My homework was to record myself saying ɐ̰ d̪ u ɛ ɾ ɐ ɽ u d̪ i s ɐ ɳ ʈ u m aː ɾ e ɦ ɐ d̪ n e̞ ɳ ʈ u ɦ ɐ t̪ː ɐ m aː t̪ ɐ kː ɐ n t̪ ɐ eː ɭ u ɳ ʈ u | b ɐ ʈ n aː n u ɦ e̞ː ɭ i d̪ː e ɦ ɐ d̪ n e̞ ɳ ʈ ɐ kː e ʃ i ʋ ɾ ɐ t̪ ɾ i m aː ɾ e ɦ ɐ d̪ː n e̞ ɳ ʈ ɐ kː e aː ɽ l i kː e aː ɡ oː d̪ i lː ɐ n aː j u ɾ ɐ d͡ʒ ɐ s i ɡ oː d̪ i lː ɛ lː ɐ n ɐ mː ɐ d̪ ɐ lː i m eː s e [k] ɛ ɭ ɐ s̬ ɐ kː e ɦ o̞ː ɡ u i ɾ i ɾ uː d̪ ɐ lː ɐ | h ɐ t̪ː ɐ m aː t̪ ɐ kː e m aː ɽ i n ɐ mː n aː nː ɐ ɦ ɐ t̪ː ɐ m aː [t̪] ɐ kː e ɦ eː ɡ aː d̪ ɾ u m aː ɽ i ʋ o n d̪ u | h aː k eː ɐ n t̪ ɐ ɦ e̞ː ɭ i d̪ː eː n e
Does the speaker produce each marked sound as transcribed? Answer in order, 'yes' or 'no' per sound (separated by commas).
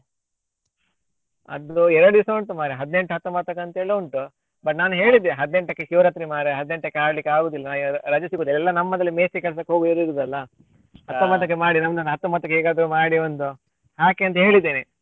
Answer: yes, yes